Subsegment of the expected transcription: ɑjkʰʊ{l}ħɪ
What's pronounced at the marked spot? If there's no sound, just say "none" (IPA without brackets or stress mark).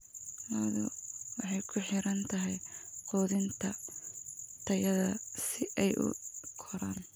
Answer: none